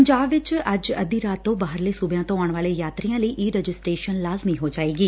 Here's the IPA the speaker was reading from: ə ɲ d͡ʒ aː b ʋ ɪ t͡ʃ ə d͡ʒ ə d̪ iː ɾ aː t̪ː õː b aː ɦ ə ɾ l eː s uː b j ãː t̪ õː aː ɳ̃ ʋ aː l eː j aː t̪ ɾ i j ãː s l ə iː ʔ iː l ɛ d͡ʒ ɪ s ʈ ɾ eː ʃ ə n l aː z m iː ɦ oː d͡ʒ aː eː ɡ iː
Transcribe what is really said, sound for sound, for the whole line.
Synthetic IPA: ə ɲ d͡ʒ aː b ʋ ɪ t͡ʃ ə d͡ʒ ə d̪ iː ɾ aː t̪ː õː b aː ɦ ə ɾ l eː s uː b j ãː t̪ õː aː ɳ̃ ʋ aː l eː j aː t̪ ɾ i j ãː l ə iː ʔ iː ɾ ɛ d͡ʒ ɪ s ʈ ɾ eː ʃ ə n l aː z m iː ɦ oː d͡ʒ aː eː ɡ iː